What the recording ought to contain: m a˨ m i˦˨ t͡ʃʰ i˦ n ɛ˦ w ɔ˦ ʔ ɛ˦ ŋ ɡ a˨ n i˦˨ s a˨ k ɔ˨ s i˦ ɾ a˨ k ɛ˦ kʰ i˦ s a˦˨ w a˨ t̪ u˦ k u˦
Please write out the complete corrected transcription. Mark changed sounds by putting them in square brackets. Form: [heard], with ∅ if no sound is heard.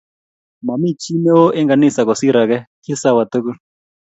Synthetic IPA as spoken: m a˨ m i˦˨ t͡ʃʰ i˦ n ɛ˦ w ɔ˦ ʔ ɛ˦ ŋ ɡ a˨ n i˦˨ s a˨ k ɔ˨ s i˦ ɾ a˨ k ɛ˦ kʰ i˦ s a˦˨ w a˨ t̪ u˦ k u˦